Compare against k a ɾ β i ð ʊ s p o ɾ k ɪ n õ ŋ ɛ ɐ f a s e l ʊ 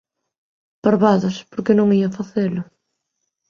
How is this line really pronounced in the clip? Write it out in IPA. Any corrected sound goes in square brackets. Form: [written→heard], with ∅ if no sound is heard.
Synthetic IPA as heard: [k→p] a ɾ β [i→a] ð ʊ s p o ɾ k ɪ n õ ŋ [ɛ→i] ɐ f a [s→θ] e l ʊ